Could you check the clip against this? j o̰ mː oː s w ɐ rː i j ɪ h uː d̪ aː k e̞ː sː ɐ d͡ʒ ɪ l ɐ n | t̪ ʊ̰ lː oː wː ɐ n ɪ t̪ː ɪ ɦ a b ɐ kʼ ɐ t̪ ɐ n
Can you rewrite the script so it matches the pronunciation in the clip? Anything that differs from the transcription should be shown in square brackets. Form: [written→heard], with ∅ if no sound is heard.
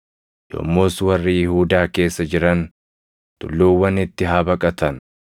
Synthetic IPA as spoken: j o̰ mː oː s w ɐ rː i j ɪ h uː d̪ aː k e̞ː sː ɐ d͡ʒ ɪ [l→ɾ] ɐ n | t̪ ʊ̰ lː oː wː ɐ n ɪ t̪ː ɪ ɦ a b ɐ kʼ ɐ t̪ ɐ n